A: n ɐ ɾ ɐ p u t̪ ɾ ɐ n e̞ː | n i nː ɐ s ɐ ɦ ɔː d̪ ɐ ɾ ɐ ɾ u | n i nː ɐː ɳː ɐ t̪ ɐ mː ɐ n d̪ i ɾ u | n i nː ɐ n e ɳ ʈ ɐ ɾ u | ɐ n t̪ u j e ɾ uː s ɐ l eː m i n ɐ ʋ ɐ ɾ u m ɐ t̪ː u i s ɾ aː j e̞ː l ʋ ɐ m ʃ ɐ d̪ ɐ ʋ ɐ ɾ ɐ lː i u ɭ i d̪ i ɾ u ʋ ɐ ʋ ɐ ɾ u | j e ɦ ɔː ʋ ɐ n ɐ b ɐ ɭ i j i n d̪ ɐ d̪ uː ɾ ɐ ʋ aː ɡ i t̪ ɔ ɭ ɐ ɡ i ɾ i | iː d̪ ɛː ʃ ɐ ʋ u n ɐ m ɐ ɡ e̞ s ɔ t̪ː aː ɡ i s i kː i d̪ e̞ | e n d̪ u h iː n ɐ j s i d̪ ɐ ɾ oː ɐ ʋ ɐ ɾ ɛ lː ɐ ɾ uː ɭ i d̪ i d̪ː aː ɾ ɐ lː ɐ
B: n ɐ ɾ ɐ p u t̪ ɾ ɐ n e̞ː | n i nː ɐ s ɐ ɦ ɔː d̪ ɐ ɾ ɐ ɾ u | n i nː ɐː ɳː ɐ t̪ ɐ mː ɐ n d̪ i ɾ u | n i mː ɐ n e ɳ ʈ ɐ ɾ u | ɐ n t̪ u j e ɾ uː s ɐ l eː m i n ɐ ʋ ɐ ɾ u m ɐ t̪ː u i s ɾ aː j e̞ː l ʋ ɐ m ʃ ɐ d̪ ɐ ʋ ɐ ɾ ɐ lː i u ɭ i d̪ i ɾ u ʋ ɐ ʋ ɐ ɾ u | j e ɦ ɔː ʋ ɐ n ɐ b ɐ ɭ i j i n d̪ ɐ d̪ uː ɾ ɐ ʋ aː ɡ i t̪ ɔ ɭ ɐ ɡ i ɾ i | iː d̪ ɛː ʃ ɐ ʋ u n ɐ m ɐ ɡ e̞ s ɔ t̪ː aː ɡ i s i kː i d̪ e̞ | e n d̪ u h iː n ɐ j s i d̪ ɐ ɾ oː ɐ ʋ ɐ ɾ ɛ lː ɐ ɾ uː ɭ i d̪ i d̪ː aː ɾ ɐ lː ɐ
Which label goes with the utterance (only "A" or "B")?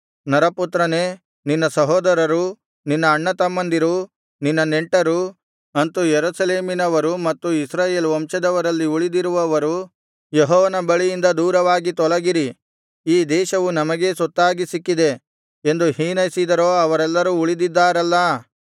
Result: A